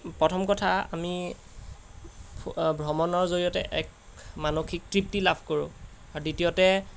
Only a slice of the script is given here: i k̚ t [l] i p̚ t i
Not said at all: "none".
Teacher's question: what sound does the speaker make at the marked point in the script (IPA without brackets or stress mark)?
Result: ɹ